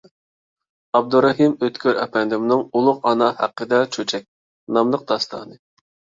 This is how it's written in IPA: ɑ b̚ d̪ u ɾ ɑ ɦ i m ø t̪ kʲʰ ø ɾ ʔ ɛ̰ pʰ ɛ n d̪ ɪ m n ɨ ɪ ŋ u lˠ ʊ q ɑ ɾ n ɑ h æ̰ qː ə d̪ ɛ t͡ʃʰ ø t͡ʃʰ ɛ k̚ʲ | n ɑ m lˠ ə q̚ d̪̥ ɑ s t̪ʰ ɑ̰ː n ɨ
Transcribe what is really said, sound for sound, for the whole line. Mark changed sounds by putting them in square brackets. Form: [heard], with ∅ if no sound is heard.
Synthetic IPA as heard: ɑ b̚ d̪ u ɾ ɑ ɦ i m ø t̪ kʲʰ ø ɾ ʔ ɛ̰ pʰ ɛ n d̪ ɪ m n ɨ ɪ ŋ u lˠ ʊ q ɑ [∅] n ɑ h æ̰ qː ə d̪ ɛ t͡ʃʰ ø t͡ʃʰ ɛ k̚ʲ | n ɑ m lˠ ə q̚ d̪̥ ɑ s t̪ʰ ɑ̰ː n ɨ